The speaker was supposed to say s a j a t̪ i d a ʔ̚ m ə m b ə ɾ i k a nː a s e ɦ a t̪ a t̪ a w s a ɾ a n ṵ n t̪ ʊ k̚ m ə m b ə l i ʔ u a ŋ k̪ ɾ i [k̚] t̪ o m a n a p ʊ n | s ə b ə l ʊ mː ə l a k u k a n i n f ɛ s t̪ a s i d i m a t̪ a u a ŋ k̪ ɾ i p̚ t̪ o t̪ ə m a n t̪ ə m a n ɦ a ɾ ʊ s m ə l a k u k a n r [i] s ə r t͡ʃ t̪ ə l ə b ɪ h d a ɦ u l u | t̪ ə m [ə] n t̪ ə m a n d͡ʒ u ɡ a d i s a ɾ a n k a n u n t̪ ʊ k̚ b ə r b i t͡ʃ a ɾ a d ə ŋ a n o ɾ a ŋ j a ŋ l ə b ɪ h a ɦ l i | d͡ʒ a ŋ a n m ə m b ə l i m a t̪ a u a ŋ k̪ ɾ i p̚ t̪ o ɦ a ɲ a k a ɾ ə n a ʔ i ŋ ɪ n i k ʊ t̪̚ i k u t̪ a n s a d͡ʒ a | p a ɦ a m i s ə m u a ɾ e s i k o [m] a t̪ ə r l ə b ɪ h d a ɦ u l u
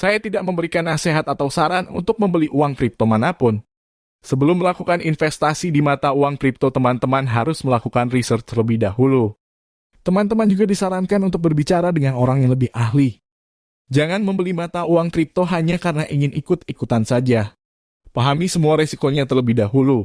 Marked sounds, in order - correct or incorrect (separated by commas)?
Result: incorrect, correct, incorrect, incorrect